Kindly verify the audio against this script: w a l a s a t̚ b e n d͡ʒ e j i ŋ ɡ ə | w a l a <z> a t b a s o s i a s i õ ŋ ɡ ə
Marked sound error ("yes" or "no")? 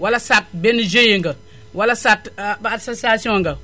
yes